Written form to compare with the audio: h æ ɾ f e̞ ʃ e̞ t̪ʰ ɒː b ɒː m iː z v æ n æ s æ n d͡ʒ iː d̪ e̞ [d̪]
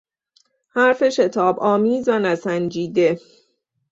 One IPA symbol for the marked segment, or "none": none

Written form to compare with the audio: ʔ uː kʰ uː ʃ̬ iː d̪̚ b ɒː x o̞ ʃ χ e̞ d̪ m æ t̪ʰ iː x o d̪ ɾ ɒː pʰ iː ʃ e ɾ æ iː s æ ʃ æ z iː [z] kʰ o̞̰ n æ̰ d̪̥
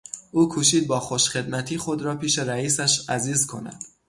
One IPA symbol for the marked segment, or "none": z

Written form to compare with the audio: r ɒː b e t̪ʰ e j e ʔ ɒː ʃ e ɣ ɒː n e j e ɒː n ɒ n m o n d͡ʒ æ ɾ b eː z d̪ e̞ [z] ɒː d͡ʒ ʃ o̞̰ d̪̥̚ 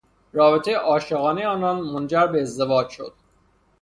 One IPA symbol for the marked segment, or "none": v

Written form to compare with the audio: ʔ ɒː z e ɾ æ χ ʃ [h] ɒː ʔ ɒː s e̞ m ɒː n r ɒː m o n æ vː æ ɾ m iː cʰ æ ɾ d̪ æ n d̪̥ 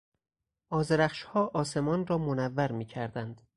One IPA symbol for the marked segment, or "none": h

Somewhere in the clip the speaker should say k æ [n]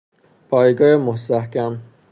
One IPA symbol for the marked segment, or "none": m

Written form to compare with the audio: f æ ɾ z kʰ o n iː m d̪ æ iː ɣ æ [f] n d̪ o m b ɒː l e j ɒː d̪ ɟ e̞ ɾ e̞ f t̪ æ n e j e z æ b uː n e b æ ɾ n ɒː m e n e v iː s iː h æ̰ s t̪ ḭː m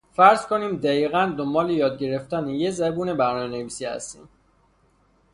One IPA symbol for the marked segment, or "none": none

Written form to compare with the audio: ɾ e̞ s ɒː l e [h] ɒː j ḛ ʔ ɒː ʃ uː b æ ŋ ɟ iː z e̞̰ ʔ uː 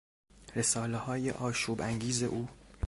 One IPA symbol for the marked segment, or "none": h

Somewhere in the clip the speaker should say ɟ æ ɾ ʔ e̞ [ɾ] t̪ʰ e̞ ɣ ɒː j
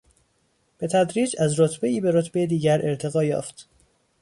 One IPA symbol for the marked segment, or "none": ɾ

